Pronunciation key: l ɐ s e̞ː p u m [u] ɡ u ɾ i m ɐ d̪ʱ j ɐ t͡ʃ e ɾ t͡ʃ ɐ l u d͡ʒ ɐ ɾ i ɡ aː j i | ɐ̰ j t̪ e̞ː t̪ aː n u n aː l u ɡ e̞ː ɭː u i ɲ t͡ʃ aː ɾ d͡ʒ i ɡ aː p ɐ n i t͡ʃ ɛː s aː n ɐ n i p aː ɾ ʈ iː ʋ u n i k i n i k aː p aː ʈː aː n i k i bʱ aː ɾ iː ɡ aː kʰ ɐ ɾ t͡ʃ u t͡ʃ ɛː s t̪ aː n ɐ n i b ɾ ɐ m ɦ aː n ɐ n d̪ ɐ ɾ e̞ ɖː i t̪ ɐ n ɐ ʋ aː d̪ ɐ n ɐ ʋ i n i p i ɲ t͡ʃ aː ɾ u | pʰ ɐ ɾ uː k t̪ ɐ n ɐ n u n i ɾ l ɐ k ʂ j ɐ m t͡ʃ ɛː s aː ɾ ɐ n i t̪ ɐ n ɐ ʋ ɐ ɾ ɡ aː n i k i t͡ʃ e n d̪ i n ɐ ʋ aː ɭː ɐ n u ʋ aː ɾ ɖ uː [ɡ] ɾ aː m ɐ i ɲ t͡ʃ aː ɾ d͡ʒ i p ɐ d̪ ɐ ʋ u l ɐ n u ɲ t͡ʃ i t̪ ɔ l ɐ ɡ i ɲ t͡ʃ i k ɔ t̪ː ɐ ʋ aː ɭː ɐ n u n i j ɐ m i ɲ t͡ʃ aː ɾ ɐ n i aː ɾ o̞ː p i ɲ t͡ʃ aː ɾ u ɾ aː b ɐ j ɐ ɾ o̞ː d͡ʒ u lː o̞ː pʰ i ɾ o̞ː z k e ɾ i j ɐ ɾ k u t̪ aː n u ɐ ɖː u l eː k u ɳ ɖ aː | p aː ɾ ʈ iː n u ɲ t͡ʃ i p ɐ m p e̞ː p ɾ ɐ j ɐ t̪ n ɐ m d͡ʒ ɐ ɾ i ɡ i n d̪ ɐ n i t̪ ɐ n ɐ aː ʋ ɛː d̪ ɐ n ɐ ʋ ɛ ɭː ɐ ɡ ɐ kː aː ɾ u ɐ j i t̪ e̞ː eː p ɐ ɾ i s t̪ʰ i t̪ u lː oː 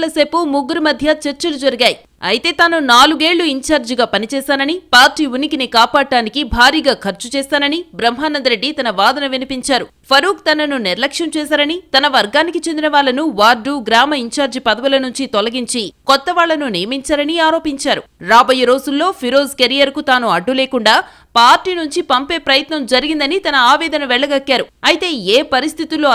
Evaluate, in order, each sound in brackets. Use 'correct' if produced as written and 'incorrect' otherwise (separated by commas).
correct, correct